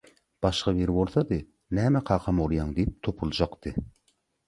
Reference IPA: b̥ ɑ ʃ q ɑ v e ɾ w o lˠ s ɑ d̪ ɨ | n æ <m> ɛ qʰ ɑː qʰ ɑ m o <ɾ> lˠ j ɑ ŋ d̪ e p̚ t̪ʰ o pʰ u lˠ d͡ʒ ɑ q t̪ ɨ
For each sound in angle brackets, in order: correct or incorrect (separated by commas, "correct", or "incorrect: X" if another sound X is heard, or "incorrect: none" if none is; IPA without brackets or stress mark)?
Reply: correct, incorrect: none